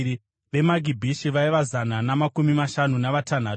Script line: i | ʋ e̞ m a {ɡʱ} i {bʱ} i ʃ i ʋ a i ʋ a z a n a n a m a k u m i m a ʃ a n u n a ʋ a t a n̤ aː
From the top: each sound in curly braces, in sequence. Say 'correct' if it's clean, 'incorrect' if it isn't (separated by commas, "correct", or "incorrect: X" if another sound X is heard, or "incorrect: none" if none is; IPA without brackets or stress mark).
correct, correct